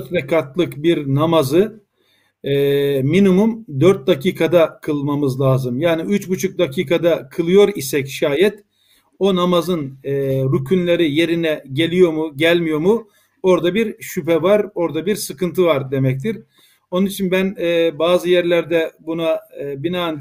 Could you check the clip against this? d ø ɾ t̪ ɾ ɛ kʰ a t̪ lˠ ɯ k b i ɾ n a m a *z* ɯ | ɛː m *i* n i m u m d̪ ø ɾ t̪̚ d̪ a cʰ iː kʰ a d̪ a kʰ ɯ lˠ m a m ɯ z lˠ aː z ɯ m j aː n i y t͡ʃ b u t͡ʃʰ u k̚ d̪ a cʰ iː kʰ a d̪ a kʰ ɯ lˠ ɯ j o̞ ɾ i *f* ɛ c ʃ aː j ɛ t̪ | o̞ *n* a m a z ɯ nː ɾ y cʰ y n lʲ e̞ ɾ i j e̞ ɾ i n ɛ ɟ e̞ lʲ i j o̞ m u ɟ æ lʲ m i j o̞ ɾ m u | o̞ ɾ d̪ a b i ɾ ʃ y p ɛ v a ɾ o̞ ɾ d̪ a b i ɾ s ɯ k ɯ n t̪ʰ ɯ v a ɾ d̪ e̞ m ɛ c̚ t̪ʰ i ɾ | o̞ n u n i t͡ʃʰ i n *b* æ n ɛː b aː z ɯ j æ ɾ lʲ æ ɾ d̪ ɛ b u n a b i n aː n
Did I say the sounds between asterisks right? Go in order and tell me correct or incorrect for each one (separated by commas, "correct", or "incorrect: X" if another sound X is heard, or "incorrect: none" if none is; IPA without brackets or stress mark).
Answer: correct, correct, incorrect: s, correct, correct